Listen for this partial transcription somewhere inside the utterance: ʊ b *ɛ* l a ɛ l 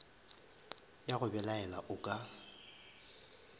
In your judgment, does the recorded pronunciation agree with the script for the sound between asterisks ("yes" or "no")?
yes